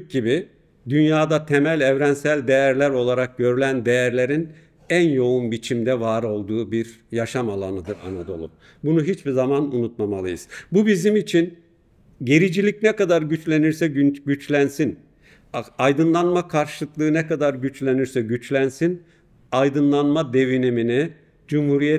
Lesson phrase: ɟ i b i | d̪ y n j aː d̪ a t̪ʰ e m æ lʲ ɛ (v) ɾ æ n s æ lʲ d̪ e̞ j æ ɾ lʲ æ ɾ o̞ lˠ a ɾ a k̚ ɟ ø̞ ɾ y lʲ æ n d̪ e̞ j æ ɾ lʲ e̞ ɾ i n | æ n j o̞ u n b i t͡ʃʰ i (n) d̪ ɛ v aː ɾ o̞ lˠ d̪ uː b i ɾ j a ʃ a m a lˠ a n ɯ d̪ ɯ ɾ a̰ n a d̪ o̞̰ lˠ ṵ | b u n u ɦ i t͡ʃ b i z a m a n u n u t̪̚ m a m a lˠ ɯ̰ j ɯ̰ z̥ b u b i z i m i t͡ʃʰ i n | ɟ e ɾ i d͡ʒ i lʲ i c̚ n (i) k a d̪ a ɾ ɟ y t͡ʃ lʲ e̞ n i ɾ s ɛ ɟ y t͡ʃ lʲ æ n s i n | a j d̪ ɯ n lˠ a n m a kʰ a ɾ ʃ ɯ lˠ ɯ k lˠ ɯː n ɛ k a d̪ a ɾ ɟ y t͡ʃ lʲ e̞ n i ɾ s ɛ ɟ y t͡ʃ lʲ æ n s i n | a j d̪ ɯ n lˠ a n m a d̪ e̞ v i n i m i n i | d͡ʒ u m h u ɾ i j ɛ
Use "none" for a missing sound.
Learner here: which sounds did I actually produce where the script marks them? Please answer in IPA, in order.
v, m, ɛ

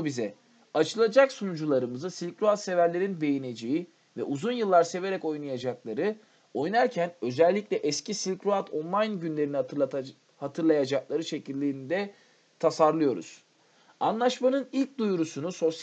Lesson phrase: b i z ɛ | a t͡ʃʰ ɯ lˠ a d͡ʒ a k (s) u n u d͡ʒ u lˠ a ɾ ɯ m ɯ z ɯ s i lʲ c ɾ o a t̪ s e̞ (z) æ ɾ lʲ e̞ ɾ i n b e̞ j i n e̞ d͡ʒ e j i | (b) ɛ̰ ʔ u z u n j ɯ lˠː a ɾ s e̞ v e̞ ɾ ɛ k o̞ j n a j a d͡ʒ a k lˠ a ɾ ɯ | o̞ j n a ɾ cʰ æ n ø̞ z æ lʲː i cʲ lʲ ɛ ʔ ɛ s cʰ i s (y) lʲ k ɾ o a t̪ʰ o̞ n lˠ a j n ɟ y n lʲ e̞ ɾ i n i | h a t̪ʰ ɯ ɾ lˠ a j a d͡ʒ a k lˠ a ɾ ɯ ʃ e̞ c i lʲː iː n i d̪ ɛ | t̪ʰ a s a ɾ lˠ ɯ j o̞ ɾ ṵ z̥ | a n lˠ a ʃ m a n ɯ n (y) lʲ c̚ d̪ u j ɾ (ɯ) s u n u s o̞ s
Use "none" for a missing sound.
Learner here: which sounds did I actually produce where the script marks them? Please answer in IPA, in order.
s, v, v, i, i, u

